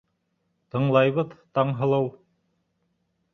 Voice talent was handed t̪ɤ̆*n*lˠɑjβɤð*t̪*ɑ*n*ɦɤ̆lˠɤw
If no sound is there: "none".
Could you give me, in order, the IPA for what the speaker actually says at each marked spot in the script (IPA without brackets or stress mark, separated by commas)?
ɴ, t̪, ɴ